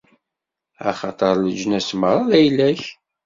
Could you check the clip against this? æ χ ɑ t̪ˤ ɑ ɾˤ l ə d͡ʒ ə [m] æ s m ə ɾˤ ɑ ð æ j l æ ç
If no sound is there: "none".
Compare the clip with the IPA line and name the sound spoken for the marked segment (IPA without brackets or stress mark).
n